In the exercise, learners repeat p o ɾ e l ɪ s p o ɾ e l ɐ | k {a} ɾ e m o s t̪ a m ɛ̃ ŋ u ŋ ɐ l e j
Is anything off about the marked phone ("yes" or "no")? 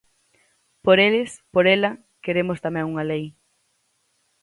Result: yes